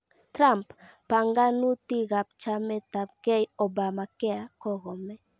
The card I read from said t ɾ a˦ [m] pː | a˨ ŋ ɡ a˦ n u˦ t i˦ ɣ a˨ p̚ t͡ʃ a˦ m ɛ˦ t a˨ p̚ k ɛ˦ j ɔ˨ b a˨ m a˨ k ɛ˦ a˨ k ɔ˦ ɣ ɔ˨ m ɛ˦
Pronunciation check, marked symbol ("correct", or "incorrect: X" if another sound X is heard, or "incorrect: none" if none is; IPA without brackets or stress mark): correct